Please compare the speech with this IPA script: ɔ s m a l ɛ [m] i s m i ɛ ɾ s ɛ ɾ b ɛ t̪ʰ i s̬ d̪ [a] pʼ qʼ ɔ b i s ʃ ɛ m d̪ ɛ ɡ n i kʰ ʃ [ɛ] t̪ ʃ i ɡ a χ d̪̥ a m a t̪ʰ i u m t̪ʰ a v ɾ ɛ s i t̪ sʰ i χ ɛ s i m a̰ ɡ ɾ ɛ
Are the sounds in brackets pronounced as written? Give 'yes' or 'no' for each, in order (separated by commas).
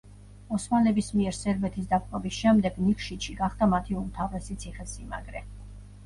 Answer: no, yes, no